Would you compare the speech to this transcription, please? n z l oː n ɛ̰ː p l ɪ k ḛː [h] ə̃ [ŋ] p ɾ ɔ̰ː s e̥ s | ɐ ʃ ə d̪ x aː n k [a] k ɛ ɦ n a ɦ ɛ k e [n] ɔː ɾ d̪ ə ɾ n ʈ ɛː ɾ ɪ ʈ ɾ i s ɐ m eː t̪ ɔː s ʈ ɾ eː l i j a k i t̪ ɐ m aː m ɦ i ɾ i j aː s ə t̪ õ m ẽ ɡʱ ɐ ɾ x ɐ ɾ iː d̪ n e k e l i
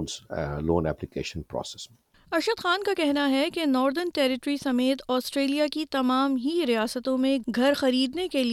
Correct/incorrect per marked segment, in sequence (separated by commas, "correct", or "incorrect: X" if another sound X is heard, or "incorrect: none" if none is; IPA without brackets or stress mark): incorrect: ʃ, incorrect: n, correct, correct